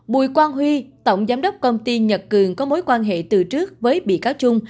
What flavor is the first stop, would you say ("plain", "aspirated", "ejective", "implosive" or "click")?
implosive